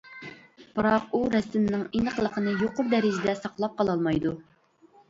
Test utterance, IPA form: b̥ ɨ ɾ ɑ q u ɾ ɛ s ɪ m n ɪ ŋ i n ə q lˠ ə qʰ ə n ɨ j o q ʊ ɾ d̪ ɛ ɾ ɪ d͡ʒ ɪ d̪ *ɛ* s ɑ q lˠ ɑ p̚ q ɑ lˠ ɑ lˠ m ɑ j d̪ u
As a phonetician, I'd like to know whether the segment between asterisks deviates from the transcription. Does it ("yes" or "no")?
no